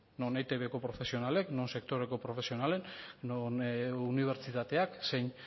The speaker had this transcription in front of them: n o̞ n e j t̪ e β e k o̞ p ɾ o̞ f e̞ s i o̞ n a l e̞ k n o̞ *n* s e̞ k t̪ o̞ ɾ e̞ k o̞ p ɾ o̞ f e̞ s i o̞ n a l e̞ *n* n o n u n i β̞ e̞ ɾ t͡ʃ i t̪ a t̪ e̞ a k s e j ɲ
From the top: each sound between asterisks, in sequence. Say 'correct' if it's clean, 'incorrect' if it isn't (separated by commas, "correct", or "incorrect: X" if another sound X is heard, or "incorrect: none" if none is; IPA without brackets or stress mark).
correct, correct